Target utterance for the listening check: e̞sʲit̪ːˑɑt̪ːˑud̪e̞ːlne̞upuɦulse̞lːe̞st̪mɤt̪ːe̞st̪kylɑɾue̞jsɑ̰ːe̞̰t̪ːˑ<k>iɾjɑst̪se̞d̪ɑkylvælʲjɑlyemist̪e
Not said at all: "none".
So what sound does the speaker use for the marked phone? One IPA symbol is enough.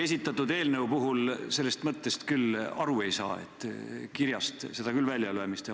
k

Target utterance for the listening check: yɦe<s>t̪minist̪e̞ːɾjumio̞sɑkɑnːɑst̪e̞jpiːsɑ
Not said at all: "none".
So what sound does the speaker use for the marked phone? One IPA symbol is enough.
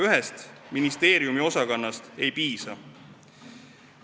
s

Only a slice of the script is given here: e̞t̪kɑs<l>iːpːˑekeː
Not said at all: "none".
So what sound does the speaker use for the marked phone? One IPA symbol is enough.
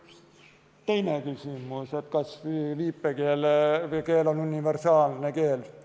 l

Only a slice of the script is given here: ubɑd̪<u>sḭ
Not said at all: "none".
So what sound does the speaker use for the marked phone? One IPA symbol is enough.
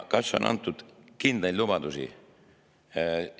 u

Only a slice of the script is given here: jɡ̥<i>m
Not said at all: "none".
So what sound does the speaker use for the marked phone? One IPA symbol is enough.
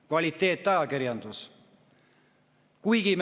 i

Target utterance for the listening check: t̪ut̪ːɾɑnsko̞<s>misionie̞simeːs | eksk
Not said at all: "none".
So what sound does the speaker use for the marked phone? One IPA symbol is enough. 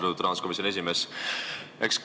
none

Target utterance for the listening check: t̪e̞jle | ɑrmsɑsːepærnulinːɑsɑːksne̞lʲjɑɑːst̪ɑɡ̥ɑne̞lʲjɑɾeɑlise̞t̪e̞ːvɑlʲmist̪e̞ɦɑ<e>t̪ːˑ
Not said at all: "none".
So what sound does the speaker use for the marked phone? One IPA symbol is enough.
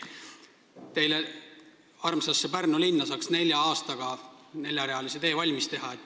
e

